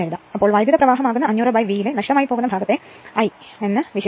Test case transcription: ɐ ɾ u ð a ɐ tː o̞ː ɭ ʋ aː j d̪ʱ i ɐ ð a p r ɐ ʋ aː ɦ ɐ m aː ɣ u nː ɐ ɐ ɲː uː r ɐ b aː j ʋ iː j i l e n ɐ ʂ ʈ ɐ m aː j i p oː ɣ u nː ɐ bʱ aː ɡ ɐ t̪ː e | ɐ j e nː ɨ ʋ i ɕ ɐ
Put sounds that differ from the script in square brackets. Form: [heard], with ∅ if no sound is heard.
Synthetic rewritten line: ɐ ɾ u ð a ɐ [pː] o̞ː ɭ ʋ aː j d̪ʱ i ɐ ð [ɐ] p r ɐ ʋ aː ɦ ɐ m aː ɣ u nː ɐ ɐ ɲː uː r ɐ b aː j ʋ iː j i l e n ɐ ʂ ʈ ɐ m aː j i p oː ɣ u nː ɐ bʱ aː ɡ ɐ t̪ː e | ɐ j e nː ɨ ʋ i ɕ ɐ

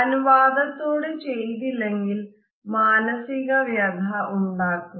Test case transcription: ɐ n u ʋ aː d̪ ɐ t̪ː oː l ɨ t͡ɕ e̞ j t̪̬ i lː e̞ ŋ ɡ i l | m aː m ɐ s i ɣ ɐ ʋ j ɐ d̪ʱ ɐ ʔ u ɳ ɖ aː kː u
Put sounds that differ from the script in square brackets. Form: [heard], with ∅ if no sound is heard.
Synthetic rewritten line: ɐ n u ʋ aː d̪ ɐ t̪ː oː [ɽ] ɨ t͡ɕ e̞ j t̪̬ i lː e̞ ŋ ɡ i l | m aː [n] ɐ s i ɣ ɐ ʋ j ɐ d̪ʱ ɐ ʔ u ɳ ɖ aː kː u

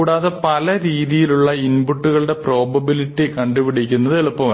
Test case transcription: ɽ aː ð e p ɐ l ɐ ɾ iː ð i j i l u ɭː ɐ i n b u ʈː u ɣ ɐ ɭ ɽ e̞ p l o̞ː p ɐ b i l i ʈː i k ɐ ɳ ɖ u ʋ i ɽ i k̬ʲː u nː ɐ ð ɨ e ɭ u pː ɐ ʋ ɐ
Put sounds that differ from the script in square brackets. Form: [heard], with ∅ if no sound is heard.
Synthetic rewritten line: ɽ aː ð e p ɐ l ɐ ɾ iː ð i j i l u ɭː ɐ i n b u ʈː u ɣ ɐ ɭ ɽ e̞ p [r] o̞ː [b] ɐ b i l i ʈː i k ɐ ɳ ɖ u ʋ i ɽ i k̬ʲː u nː ɐ ð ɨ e ɭ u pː ɐ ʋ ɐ

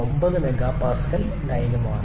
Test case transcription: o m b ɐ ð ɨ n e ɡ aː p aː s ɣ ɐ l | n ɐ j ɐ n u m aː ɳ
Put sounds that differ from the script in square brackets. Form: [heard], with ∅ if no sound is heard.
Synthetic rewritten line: o m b ɐ ð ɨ [m] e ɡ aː p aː s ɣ ɐ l | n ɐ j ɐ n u m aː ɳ

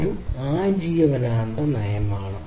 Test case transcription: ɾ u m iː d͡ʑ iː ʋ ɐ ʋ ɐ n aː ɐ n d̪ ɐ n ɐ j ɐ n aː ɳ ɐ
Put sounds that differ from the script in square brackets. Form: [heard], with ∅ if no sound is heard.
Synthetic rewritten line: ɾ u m [aː] d͡ʑ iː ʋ ɐ ʋ ɐ n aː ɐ n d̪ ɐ n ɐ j ɐ [m] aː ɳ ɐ

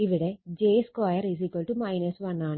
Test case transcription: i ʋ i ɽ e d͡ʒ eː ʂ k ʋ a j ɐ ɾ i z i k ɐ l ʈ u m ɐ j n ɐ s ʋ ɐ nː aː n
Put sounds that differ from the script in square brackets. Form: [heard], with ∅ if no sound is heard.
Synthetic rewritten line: i ʋ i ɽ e d͡ʒ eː [s] k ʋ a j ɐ ɾ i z i k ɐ l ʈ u m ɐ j n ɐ s ʋ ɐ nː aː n

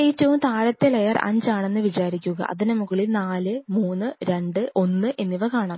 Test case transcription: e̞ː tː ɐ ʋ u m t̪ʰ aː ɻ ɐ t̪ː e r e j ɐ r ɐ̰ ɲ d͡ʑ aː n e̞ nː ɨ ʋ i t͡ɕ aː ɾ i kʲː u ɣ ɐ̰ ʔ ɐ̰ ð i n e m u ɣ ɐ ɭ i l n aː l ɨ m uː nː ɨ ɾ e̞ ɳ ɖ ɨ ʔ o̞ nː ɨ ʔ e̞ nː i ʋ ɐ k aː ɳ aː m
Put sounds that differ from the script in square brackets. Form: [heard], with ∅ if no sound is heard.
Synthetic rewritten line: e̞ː tː ɐ ʋ u m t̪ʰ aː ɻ ɐ t̪ː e [l] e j ɐ r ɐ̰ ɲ d͡ʑ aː [ɳ] e̞ nː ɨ ʋ i t͡ɕ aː ɾ i kʲː u ɣ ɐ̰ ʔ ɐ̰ ð i n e m u ɣ ɐ ɭ i l n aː l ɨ m uː nː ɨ ɾ e̞ ɳ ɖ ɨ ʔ o̞ nː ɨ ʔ e̞ nː i ʋ ɐ k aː ɳ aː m

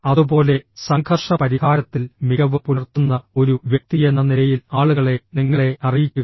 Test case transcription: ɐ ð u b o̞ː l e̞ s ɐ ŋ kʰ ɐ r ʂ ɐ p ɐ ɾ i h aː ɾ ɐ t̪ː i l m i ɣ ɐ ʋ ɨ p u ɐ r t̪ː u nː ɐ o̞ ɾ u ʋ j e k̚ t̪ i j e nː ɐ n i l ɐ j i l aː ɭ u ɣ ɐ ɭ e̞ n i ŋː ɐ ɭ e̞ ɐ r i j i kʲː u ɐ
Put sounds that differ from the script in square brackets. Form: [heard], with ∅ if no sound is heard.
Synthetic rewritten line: ɐ ð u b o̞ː l e̞ s ɐ ŋ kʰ ɐ r ʂ ɐ p ɐ ɾ i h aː ɾ ɐ t̪ː i l m i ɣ ɐ ʋ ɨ p u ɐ r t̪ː u nː ɐ o̞ ɾ u ʋ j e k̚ t̪ i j e nː ɐ n i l ɐ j i l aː ɭ u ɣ ɐ ɭ e̞ n i ŋː ɐ ɭ e̞ ɐ r i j i kʲː u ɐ

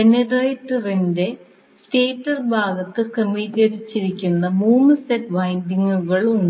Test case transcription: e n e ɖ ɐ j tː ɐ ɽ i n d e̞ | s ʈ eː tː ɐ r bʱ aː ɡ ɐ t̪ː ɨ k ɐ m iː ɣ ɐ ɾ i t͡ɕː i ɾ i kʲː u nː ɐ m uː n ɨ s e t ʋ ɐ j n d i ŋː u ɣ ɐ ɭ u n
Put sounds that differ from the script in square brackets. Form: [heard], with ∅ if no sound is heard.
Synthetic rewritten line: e n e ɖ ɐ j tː ɐ [r] i n d e̞ | s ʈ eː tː ɐ r bʱ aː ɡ ɐ t̪ː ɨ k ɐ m iː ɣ ɐ ɾ i t͡ɕː i ɾ i kʲː u nː ɐ m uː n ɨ s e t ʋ ɐ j n d i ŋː u ɣ ɐ ɭ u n

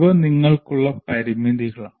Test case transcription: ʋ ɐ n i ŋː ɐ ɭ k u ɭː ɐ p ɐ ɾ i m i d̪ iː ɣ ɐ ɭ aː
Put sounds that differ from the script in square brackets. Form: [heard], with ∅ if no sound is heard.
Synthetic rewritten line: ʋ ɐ n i ŋː ɐ ɭ k u ɭː ɐ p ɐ ɾ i m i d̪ [i] ɣ ɐ ɭ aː

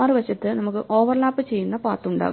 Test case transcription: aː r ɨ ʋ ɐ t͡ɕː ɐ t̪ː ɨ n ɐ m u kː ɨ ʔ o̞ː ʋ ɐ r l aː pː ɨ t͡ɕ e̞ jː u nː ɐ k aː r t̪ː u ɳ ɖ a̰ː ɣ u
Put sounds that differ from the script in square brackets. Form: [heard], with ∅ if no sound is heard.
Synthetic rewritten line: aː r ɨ ʋ ɐ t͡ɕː ɐ t̪ː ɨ n ɐ m u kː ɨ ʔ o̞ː ʋ ɐ r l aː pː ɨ t͡ɕ e̞ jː u nː ɐ [p] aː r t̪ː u ɳ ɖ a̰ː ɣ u

